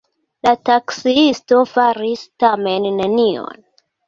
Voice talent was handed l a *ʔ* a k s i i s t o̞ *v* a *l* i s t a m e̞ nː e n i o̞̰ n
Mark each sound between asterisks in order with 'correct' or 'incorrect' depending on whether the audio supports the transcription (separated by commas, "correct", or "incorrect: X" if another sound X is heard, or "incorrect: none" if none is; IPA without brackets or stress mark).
incorrect: t, incorrect: f, incorrect: ɾ